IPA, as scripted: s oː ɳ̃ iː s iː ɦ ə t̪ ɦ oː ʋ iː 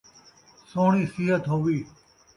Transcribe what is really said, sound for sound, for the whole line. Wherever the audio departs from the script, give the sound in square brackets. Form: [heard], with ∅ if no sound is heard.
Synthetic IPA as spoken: s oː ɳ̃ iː s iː ɦ ə t̪ ɦ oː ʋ iː